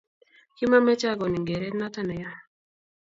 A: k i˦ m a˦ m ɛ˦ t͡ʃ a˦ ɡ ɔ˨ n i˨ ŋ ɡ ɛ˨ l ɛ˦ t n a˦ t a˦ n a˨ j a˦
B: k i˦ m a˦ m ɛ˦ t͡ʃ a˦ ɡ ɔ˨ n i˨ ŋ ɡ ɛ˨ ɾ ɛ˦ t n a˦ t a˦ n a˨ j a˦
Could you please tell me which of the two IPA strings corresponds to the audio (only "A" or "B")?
B